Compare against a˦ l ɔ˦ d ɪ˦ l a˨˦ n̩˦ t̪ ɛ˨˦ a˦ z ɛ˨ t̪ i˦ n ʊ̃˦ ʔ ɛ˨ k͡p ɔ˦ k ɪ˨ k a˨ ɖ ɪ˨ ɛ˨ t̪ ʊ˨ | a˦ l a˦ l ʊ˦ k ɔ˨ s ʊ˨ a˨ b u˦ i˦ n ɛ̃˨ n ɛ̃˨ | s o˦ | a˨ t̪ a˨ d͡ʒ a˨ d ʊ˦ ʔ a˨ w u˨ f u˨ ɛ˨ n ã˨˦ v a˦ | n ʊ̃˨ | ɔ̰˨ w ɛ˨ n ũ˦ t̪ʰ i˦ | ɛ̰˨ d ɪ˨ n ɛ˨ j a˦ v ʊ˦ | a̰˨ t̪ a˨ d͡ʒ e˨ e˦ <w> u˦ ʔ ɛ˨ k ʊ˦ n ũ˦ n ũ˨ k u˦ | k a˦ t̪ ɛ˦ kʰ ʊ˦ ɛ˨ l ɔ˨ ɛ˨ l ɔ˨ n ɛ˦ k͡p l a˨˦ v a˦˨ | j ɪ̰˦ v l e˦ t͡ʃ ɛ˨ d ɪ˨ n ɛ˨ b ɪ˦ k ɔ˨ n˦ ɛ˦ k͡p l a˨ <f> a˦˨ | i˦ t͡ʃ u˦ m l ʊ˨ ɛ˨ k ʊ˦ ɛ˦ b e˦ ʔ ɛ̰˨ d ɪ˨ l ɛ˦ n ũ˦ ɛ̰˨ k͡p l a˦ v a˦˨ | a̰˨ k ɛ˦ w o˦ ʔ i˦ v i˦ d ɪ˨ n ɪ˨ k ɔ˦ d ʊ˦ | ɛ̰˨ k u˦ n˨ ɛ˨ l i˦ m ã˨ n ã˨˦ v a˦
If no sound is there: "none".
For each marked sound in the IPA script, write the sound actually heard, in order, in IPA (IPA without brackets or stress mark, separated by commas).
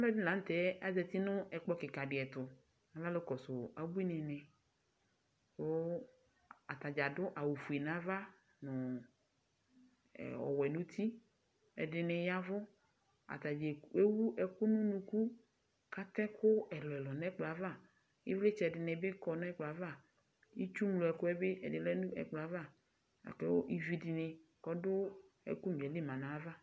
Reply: w, v